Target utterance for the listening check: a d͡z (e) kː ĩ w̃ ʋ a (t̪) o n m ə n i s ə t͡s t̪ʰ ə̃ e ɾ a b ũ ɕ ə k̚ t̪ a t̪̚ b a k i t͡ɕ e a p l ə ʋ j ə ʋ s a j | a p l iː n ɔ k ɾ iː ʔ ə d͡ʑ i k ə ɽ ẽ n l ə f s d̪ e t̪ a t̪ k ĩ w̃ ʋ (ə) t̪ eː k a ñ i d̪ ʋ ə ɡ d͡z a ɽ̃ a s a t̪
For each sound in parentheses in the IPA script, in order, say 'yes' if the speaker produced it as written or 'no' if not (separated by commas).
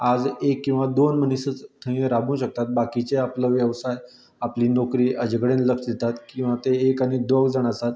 yes, no, no